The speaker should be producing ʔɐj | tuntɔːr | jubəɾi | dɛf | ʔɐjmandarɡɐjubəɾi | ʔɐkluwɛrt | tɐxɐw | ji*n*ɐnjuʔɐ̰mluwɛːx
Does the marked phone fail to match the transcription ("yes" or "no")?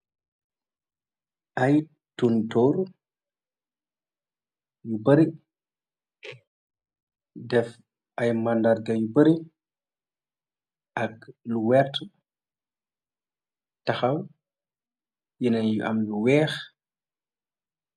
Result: no